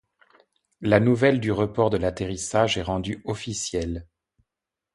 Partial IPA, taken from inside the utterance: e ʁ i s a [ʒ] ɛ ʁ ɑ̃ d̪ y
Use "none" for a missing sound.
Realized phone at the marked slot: ʒ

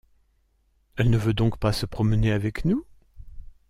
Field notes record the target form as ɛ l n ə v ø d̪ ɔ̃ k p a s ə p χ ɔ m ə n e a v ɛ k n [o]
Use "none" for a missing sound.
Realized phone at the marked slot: u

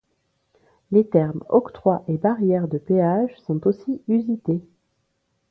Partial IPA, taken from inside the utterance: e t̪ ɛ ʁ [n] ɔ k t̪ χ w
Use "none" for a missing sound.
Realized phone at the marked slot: m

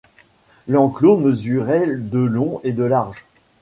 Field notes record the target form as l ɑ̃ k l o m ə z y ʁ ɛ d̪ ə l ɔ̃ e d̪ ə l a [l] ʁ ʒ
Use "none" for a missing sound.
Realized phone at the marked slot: none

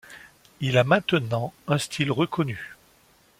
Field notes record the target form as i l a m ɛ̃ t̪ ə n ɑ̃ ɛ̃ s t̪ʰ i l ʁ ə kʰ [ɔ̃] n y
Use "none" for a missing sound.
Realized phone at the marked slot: ɔ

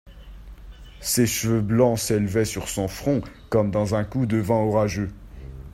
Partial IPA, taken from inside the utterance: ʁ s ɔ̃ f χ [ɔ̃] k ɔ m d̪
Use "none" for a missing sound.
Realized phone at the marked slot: ɔ̃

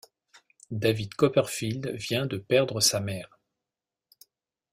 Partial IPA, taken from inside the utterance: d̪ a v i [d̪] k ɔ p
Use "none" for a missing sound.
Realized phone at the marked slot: d̪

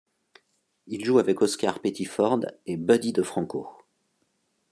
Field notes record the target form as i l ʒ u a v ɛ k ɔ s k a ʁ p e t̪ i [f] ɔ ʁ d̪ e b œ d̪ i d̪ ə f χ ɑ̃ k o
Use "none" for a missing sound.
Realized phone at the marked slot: f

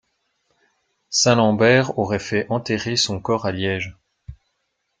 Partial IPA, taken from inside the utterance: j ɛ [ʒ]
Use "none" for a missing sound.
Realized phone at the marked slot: ʒ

